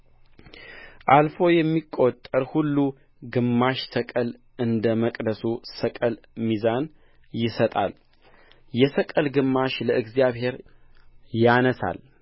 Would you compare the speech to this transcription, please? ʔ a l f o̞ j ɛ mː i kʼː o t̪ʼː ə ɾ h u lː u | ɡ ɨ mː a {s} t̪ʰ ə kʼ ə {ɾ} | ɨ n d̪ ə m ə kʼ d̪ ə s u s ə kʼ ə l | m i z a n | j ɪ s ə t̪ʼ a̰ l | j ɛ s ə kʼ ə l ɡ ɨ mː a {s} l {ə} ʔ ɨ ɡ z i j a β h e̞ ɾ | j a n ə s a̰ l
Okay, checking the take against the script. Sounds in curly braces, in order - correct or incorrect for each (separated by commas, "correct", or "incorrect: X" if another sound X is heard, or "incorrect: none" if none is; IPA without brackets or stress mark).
incorrect: ʃ, incorrect: l, incorrect: ʃ, correct